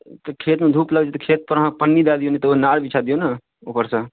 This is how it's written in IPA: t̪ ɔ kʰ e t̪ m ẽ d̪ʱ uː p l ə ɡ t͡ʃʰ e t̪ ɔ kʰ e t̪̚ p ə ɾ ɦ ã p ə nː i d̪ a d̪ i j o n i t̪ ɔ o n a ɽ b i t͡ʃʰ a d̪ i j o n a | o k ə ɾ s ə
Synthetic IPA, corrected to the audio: t̪ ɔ kʰ e t̪ m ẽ d̪ʱ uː p l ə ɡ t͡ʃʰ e t̪ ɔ kʰ e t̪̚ p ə ɾ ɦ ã p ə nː i d̪ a d̪ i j o n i t̪ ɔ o n a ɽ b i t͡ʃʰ a d̪ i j o n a | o p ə ɾ s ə